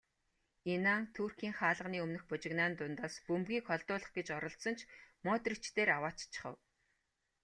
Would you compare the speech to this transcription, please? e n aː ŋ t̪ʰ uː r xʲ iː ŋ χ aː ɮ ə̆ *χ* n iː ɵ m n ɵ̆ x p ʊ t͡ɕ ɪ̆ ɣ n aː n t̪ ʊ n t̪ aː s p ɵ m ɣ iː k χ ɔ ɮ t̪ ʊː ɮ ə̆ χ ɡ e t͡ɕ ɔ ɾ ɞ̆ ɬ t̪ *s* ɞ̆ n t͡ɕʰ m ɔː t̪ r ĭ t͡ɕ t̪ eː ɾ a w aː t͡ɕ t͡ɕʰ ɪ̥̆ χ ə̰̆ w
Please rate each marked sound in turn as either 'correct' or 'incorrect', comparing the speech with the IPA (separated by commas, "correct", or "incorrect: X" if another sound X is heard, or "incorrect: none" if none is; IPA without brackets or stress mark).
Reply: incorrect: ʁ, correct